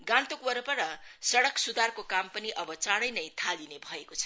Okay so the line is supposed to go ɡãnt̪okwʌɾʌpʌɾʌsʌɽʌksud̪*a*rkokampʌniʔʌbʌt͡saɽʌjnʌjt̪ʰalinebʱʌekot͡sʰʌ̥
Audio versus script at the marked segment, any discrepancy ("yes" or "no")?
no